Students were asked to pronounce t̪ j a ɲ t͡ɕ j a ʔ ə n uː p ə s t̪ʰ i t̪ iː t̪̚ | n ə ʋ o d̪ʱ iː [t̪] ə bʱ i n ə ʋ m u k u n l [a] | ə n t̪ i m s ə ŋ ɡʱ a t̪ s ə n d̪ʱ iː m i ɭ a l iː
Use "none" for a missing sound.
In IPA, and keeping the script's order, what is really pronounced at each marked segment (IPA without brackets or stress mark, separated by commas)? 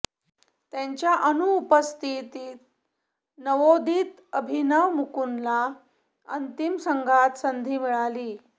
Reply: t̪, a